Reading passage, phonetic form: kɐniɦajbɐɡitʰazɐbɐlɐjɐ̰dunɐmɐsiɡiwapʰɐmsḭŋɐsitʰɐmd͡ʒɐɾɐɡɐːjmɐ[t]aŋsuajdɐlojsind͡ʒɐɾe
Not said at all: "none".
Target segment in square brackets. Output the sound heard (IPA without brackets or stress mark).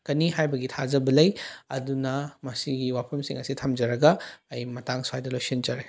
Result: t